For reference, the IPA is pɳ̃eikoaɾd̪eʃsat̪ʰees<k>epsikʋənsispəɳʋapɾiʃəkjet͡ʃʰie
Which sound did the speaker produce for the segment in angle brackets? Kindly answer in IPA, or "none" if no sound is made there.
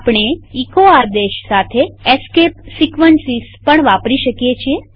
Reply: k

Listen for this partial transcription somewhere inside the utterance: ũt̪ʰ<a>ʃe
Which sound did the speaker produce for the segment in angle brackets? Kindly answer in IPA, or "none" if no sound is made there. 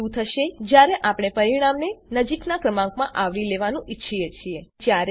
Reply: ə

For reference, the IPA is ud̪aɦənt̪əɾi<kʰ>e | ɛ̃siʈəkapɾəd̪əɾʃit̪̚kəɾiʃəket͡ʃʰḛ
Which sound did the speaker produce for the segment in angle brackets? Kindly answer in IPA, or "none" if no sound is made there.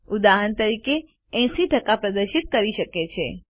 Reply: k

